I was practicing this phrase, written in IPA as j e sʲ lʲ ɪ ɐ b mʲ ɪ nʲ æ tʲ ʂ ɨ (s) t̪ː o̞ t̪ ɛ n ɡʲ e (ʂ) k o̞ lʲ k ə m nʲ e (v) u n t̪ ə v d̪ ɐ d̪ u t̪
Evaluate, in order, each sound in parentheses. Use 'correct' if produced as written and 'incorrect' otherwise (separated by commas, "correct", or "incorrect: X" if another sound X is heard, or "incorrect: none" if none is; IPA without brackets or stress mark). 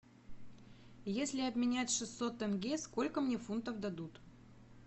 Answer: correct, incorrect: s, incorrect: f